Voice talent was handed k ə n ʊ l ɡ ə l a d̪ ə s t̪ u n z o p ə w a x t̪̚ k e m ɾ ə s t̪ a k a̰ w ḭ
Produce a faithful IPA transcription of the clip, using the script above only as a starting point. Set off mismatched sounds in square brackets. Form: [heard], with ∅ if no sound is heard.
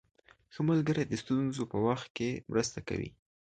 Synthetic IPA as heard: [x] ə [m] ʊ l ɡ ə [ɾ] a d̪ ə s t̪ u n z o p ə w a x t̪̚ k e m ɾ ə s t̪ a k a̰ w ḭ

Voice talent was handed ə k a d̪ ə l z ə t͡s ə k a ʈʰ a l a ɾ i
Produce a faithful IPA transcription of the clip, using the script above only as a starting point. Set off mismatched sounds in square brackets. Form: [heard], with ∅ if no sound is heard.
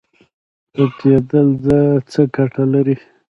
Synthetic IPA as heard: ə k [e] d̪ ə l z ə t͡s ə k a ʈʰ a l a ɾ i

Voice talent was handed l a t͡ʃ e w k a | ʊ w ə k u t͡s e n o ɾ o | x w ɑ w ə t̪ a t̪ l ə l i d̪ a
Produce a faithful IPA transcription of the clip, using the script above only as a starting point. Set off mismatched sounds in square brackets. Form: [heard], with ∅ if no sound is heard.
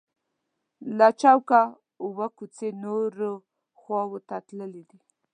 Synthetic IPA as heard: l a t͡ʃ [a] w k a | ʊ w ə k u t͡s e n o ɾ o | x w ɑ w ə t̪ a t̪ l ə l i d̪ [i]

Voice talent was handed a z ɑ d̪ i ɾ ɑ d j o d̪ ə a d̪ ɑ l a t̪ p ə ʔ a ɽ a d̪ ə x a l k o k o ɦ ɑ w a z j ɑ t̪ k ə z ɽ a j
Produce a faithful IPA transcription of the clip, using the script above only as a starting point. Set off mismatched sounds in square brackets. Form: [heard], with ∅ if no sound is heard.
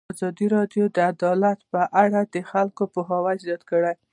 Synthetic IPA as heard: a z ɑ d̪ i ɾ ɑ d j o d̪ ə a d̪ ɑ l a t̪ p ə ʔ a ɽ a d̪ ə x a l k o [p] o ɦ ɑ w a z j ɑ t̪ k ə [∅] ɽ a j

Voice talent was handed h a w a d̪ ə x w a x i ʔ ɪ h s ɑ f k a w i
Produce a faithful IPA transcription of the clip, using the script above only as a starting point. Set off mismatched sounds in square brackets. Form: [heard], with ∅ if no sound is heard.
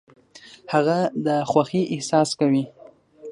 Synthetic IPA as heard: h a [ɣ] a d̪ ə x w a x i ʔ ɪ h s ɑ [s] k a w i

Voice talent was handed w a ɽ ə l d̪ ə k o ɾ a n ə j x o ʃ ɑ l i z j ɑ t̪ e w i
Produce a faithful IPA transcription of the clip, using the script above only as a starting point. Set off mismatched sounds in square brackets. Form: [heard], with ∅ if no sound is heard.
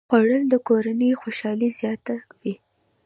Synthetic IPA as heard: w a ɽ ə l d̪ ə k o ɾ a n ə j x o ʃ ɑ l i z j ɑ t̪ [a] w i

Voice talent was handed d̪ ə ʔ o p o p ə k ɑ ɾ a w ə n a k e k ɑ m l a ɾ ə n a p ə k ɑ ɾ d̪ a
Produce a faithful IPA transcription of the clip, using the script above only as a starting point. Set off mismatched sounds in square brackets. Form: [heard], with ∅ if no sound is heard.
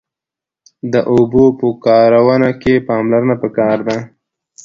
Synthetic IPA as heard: d̪ ə ʔ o [b] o p ə k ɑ ɾ a w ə n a k e [p] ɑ m l a ɾ ə n a p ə k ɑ ɾ d̪ a

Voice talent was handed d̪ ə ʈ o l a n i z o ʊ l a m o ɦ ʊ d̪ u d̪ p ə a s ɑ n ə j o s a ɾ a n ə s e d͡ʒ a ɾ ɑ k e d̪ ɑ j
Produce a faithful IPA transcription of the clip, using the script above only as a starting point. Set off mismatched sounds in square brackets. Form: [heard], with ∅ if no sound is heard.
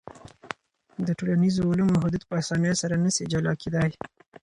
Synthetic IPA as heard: d̪ ə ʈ o l a n i z o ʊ l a m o ɦ ʊ d̪ u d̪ p ə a s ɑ n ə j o s a ɾ a n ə s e d͡ʒ a [l] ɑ k e d̪ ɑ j

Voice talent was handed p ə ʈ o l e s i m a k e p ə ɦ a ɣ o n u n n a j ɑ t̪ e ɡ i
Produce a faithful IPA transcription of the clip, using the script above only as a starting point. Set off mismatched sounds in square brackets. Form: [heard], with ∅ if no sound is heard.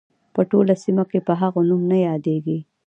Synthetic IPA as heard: p ə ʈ o l [a] s i m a k e p ə ɦ a ɣ o n u [m] n a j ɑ [d̪] e ɡ i

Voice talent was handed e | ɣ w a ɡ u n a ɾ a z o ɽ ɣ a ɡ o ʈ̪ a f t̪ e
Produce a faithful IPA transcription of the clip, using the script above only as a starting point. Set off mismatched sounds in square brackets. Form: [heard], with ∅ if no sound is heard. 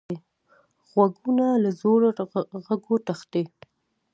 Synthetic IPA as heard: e | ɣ w a ɡ u n a [l] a z o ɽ ɣ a ɡ o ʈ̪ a [x] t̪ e

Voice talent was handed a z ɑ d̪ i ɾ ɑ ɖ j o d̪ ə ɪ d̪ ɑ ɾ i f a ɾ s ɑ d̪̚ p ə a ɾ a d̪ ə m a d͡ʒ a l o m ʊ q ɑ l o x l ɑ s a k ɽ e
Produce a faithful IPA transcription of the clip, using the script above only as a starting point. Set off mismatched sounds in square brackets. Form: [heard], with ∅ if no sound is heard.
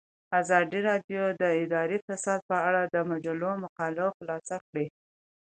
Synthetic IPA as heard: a z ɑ d̪ i ɾ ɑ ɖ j o d̪ ə ɪ d̪ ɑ ɾ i f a [∅] s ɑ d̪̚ p ə a [ɽ] a d̪ ə m a d͡ʒ a l o m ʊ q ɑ l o x l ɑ s a k ɽ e

